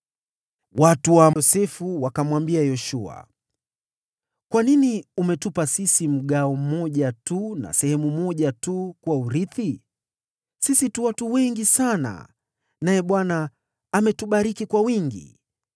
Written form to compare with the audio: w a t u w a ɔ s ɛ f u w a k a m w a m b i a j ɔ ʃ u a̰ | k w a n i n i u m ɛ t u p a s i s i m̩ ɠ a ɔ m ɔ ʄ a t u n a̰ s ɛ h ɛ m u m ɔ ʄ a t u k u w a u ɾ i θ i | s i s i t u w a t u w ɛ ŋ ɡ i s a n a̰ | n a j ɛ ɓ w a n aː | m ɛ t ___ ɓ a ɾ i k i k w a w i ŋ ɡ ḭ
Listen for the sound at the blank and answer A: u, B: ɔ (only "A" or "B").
A